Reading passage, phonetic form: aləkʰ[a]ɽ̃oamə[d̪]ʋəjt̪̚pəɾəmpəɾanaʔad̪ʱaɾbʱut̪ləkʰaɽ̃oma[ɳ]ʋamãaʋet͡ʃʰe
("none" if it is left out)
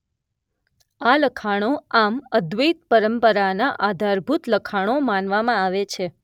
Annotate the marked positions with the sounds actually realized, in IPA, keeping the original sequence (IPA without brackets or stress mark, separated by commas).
a, d̪, n